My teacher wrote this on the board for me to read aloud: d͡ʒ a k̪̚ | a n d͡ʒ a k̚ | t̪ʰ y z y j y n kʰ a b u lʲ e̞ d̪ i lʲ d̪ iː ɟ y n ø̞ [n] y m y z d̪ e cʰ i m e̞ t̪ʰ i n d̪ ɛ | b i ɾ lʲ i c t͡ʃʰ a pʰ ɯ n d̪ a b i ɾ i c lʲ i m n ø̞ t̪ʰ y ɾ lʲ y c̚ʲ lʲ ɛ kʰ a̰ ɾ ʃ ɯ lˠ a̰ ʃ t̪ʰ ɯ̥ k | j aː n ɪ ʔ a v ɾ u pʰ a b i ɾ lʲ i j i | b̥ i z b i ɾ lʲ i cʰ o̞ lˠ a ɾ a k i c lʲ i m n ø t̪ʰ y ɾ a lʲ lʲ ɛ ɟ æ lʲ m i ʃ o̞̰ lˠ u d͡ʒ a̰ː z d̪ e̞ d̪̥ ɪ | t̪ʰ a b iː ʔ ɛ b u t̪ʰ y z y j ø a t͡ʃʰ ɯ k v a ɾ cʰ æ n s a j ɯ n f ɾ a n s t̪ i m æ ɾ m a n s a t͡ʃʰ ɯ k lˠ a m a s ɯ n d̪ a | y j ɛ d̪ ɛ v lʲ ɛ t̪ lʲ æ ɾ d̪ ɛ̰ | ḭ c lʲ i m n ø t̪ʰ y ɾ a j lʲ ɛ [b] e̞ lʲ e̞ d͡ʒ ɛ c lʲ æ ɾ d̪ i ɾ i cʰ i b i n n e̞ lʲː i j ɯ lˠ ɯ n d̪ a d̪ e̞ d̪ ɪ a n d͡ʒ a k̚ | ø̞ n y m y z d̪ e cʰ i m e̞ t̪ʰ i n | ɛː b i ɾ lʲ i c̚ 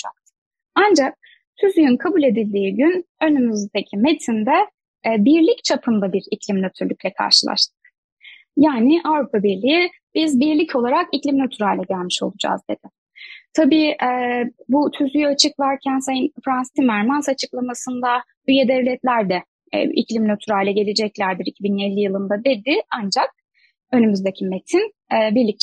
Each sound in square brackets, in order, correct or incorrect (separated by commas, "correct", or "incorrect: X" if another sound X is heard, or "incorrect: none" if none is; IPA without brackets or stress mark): correct, incorrect: ɟ